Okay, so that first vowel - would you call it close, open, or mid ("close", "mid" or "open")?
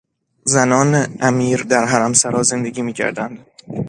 open